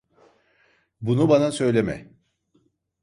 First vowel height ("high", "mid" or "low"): high